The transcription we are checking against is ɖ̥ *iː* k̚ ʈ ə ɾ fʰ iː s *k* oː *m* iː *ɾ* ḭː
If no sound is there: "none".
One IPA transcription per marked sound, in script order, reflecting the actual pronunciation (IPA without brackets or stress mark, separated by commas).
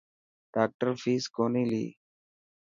aː, k, n, l